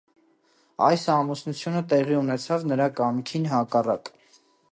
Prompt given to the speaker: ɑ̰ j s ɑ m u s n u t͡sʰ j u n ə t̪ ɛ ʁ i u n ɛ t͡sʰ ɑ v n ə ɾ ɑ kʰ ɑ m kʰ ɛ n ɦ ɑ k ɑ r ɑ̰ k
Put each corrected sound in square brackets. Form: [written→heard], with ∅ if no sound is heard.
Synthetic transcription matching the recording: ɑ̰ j s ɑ m u s n u t͡sʰ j u n ə t̪ ɛ ʁ i u n ɛ t͡sʰ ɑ v n ə ɾ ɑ [kʰ→k] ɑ m kʰ [ɛ→i] n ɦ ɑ k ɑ r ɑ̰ k